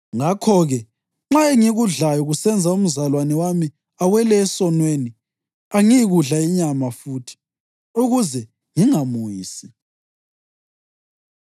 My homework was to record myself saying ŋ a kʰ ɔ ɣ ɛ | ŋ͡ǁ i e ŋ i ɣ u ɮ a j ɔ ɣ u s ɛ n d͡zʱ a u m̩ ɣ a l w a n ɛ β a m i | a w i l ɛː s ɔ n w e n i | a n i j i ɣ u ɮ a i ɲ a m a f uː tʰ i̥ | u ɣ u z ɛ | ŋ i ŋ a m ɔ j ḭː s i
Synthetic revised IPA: ŋ a kʰ ɔ ɣ ɛ | ŋ͡ǁ a e ŋ i ɣ u ɮ a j ɔ ɣ u s ɛ n d͡zʱ a u m̩ z a l w a n ɛ w a m i | a w ɛ l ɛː s ɔ n w e n i | a ŋ i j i ɣ u ɮ a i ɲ a m a f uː tʰ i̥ | u ɣ u z ɛ | ŋ i ŋ a m u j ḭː s i

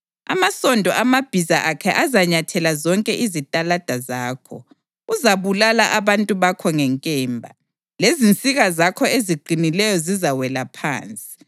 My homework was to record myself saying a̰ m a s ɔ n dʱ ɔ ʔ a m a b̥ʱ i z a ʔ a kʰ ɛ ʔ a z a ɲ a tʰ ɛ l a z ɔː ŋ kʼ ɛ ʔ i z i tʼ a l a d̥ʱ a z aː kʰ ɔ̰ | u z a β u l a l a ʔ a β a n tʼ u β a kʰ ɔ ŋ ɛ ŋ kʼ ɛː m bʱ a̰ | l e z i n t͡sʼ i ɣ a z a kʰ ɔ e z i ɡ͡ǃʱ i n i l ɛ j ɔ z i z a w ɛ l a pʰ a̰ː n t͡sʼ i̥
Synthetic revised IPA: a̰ m a s ɔ n dʱ ɔ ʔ a m a b̥ʱ i z a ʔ a kʰ ɛ ʔ a z a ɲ a tʰ ɛ l a z ɔ ŋ kʼ ɛ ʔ i z i tʼ a l a d̥ʱ a z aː kʰ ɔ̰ | u z a β u l a l a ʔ a β a n tʼ u β a kʰ ɔ ŋ ɛ ŋ kʼ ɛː m bʱ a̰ | l e z i n t͡sʼ i ɣ a z a kʰ ɔ e z i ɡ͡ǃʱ i n i l ɛ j ɔ z i z a w ɛ l a pʰ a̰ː n t͡sʼ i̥

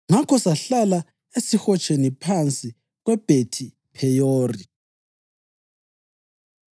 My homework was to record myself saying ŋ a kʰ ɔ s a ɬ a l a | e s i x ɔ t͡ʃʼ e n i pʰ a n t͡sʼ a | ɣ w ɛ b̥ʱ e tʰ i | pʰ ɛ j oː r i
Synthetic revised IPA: ŋ a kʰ ɔ s a ɬ a l a | e s i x ɔ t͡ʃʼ e n i pʰ a n t͡sʼ i | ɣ w ɛ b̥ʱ e tʰ i | pʰ ɛ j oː r i

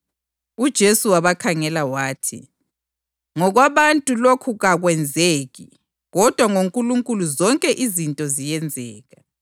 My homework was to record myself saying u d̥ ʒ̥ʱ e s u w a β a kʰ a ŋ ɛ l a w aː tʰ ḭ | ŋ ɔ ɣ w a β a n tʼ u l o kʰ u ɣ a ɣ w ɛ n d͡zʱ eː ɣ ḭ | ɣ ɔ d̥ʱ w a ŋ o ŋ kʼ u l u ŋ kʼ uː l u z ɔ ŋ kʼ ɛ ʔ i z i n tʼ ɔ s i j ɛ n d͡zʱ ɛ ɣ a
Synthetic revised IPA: u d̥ ʒ̥ʱ e s u w a β a kʰ a ŋ ɛ l a w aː tʰ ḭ | ŋ ɔ ɣ w a β a n tʼ u l o kʰ u ɣ a ɣ w ɛ n d͡zʱ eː ɣ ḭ | ɣ ɔ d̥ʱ w a ŋ o ŋ kʼ u l u ŋ kʼ u l u z ɔ ŋ kʼ ɛ ʔ i z i n tʼ ɔ z i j ɛ n d͡zʱ ɛː ɣ a

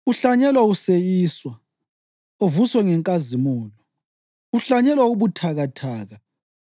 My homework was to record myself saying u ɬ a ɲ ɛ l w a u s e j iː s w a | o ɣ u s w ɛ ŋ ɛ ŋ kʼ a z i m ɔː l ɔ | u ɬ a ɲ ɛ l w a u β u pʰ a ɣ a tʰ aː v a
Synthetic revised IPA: u ɬ a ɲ ɛ l w a u s e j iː s w a | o v u s w ɛ ŋ ɛ ŋ kʼ a z i m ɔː l ɔ | u ɬ a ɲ ɛ l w a u β u tʰ a ɣ a tʰ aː ɣ a

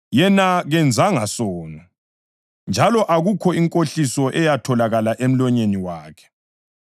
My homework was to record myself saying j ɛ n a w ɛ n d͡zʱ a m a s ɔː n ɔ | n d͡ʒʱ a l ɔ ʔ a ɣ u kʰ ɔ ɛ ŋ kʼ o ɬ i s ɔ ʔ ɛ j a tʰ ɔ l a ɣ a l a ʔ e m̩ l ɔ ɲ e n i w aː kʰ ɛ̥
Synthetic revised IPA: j ɛ n a ɣ ɛ n d͡zʱ a ŋ a s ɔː n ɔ | n d͡ʒʱ a l ɔ ʔ a ɣ u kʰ ɔ i ŋ kʼ o ɬ i s ɔ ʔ ɛ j a tʰ ɔ l a ɣ a l a ʔ e m̩ l ɔ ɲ e n i w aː kʰ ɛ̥

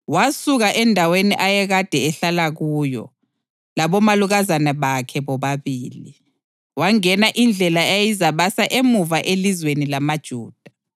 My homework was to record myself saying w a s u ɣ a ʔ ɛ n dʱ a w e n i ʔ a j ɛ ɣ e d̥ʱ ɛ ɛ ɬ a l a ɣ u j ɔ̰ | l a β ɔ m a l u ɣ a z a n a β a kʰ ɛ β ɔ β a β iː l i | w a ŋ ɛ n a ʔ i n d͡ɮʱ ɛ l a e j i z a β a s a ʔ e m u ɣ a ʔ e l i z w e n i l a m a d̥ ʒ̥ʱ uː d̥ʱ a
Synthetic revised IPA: w a s u ɣ a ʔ ɛ n dʱ a w e n i ʔ a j ɛ ɣ a d̥ʱ ɛ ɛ ɬ a l a ɣ u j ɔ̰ | l a β ɔ m a l u ɣ a z a n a β a kʰ ɛ β ɔ β a β iː l i | w a ŋ ɛ n a ʔ i n d͡ɮʱ ɛ l a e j i z a β a s a ʔ e m u v a ʔ e l i z w e n i l a m a d̥ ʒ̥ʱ uː d̥ʱ a

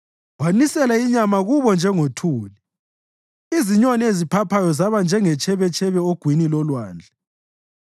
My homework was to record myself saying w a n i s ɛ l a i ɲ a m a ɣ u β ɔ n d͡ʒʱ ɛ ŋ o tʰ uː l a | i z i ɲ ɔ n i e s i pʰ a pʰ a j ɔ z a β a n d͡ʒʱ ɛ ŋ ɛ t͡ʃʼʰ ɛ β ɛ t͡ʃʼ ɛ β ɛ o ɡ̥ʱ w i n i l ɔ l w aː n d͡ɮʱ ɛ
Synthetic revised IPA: w a n i s ɛ l a i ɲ a m a ɣ u β ɔ n d͡ʒʱ ɛ ŋ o tʰ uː l i | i z i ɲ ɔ n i e z i pʰ a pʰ a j ɔ z a β a n d͡ʒʱ ɛ ŋ ɛ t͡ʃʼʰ ɛ β ɛ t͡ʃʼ ɛ β ɛ o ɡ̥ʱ w i n i l ɔ l w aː n d͡ɮʱ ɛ

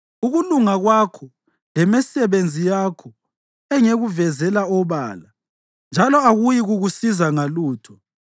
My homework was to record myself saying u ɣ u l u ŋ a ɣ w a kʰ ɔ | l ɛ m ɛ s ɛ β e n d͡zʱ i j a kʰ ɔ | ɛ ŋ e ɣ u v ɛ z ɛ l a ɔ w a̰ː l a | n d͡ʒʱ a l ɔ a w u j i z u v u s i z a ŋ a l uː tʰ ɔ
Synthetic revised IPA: u ɣ u l u ŋ a ɣ w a kʰ ɔ | l ɛ m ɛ s ɛ β e n d͡zʱ i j a kʰ ɔ | ɛ ŋ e ɣ u v ɛ z ɛ l a ɔ β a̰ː l a | n d͡ʒʱ a l ɔ a ɣ u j i ɣ u ɣ u s i z a ŋ a l uː tʰ ɔ

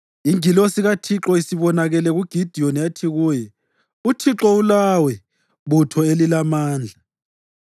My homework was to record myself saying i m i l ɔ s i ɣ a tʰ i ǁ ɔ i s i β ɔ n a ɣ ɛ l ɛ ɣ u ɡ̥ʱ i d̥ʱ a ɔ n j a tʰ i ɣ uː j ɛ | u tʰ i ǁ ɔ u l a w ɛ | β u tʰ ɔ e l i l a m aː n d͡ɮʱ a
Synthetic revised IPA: i ŋ i l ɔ s i ɣ a tʰ i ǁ ɔ i s i β ɔ n a ɣ ɛ l ɛ ɣ u ɡ̥ʱ i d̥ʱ i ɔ n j a tʰ i ɣ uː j ɛ | u tʰ i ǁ ɔ u l a w ɛ | β u tʰ ɔ e l i l a m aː n d͡ɮʱ a

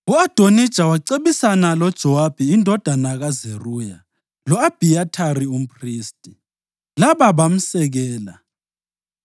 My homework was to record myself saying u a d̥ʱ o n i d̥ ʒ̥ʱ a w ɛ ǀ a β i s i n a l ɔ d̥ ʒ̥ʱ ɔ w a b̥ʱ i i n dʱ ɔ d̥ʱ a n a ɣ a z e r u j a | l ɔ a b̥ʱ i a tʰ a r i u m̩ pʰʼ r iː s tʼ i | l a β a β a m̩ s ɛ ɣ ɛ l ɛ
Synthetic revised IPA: u a d̥ʱ o n i d̥ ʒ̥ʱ a w a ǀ e β i s a n a l ɔ d̥ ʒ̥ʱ ɔ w a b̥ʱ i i n dʱ ɔ d̥ʱ a n a ɣ a z e r u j a | l ɔ a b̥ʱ i a tʰ a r i u m̩ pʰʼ r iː s tʼ i | l a β a β a m̩ s ɛ ɣ ɛː l a

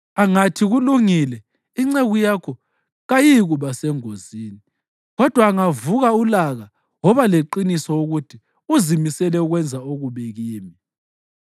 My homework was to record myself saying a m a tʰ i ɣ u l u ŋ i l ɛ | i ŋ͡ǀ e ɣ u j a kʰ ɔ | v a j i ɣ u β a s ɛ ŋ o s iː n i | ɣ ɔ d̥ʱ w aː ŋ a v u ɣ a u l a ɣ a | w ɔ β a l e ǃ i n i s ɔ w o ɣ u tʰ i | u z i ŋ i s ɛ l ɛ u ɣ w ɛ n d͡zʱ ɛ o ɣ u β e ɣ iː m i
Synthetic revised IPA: a ŋ a tʰ i ɣ u l u ŋ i l ɛ | i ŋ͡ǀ e ɣ u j a kʰ ɔ | ɣ a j i ɣ u β a s ɛ ŋ o z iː n i | ɣ ɔ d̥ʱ w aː ŋ a v u ɣ a u l a ɣ a | w ɔ β a l e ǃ i n i s ɔ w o ɣ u tʰ i | u z i m i s ɛ l ɛ u ɣ w ɛ n d͡zʱ a o ɣ u β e ɣ iː m i

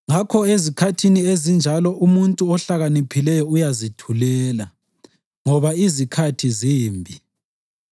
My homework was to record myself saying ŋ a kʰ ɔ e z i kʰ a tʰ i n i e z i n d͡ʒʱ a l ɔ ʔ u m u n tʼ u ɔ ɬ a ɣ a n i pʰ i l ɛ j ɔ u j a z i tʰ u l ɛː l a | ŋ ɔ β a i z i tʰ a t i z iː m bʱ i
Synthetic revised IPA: ŋ a kʰ ɔ e z i kʰ a tʰ i n i e z i n d͡ʒʱ a l ɔ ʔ u m u n tʼ u ɔ ɬ a ɣ a n i pʰ i l ɛ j ɔ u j a z i tʰ u l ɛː l a | ŋ ɔ β a i z i kʰ a tʰ i z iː m bʱ i

